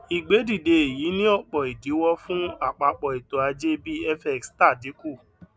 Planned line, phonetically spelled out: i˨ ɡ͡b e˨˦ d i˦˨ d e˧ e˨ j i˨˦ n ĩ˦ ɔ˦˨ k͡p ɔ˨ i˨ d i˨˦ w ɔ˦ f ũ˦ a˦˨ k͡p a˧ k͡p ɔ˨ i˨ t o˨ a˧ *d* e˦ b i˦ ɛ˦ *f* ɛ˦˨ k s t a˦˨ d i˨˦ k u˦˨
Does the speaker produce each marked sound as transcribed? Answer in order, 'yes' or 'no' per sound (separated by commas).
no, yes